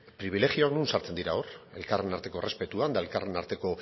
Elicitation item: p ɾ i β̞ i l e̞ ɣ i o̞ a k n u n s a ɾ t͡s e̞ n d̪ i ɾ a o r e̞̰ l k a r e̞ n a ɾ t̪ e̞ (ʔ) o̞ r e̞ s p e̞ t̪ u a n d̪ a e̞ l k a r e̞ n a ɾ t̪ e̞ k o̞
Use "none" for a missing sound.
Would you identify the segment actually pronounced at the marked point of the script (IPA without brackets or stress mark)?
k